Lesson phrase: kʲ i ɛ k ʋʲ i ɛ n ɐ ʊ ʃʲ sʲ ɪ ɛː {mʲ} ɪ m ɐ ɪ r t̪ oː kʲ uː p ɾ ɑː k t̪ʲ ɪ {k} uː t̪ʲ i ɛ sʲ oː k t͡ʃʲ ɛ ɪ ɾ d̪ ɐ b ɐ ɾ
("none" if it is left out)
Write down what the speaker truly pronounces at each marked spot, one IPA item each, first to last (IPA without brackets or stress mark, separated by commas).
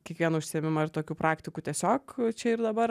mʲ, k